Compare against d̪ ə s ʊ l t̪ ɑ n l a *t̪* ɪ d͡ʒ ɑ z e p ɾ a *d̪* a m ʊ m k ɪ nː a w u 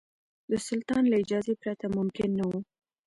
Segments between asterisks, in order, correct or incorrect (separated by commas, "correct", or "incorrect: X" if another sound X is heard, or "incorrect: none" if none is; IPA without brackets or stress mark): incorrect: none, incorrect: t̪